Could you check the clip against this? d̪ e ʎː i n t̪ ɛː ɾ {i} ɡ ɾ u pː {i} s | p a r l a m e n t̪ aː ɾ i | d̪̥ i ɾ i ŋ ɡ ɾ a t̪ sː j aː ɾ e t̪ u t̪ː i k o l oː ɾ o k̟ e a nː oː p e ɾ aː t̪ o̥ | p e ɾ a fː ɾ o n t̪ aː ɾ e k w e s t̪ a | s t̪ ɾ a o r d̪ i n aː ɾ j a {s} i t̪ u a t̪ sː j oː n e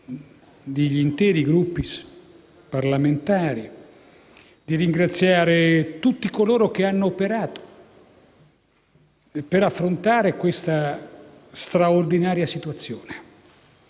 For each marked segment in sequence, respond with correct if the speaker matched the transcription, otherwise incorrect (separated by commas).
correct, correct, correct